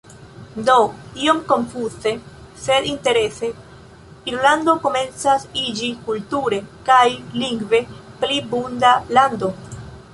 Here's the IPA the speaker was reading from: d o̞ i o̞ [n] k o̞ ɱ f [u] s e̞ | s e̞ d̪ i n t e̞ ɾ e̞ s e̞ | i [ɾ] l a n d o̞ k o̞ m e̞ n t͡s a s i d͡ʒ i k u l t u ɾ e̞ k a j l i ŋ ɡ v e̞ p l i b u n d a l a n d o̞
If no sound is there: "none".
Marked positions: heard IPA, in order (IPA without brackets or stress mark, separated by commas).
m, u, ɾ